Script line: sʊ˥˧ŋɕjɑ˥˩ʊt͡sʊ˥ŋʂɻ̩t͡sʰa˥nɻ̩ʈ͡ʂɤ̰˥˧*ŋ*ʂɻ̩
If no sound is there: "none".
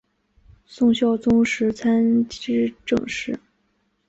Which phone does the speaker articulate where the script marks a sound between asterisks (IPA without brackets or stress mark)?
ŋ